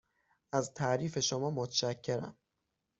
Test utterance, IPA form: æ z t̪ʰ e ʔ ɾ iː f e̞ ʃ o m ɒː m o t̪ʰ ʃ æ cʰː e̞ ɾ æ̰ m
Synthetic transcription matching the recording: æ z t̪ʰ æ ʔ ɾ iː f e̞ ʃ o m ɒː m o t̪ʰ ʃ æ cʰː e̞ ɾ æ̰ m